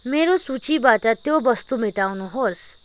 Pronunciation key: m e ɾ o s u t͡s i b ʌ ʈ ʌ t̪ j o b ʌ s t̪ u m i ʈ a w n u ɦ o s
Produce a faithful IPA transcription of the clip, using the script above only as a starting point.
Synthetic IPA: m e ɾ o s u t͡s i b a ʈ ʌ t̪ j o b ʌ s t̪ u m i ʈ a w n u ɦ o s